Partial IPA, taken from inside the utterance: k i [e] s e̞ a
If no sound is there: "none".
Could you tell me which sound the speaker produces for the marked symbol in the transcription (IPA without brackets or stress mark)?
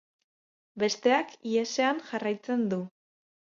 e